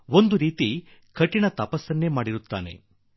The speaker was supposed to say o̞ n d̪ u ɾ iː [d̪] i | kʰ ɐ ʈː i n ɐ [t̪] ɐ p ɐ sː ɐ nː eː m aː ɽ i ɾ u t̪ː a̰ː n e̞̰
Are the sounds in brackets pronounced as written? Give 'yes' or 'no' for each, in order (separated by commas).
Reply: no, yes